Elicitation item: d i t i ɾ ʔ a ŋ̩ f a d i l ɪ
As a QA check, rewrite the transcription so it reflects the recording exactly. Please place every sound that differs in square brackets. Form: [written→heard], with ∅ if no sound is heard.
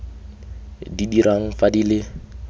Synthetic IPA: d i [t→d] i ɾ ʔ a ŋ̩ f a d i l ɪ